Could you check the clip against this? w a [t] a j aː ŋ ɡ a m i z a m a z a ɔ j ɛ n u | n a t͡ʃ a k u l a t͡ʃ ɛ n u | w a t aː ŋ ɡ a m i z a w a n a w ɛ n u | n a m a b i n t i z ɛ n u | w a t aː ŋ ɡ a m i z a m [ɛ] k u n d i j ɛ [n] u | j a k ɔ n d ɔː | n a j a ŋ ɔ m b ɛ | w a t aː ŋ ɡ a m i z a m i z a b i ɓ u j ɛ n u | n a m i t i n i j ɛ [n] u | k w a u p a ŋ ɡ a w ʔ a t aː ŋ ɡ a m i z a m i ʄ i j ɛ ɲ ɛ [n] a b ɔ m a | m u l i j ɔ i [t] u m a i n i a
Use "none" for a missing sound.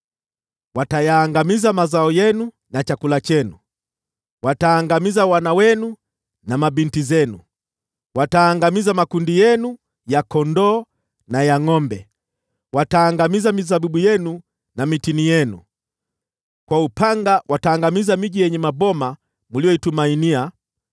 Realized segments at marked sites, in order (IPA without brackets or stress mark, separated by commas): t, a, n, n, m, t